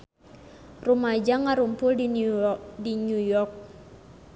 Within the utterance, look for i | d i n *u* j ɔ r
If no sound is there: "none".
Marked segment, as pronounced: u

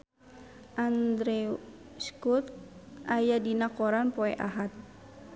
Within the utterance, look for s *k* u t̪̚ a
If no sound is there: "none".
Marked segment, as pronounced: k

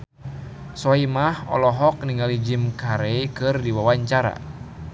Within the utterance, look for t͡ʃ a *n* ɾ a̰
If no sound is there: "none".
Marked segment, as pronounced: none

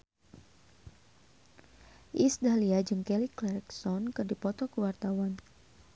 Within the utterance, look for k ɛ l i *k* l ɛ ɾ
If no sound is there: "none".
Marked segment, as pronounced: k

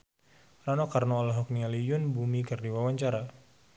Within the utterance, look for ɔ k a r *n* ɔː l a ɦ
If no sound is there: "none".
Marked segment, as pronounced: n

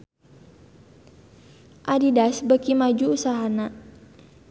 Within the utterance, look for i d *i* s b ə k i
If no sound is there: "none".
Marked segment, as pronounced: a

